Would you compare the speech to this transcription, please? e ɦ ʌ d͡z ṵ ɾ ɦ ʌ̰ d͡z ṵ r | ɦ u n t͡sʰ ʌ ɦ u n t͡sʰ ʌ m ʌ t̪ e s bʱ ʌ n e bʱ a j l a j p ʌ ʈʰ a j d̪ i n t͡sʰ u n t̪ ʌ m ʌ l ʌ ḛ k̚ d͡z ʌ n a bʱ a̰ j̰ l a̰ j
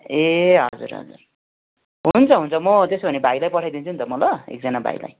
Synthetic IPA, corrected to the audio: e ɦ ʌ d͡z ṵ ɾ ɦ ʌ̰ d͡z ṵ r | ɦ u n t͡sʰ ʌ ɦ u n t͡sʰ ʌ m ʌ t̪ e s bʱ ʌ n e bʱ a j l a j p ʌ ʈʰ a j d̪ i n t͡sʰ u n t̪ ʌ m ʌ l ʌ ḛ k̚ d͡z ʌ n a bʱ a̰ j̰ l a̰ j